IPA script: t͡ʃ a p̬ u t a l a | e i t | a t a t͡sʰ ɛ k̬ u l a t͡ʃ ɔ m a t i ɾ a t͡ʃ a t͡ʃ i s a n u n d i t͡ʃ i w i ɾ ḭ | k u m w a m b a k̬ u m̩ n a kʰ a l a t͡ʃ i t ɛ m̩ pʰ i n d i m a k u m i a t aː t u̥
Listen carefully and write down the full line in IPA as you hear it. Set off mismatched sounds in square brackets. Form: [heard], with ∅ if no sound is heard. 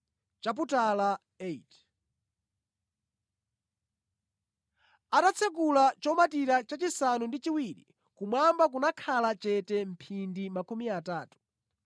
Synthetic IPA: t͡ʃ a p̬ u t a l a | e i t | a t a t͡sʰ ɛ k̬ u l a t͡ʃ ɔ m a t i ɾ a t͡ʃ a t͡ʃ i s a n u n d i t͡ʃ i w i ɾ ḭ | k u m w a m b a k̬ u [∅] n a kʰ a l a t͡ʃ [ɛ] t ɛ m̩ pʰ i n d i m a k u m i a t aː t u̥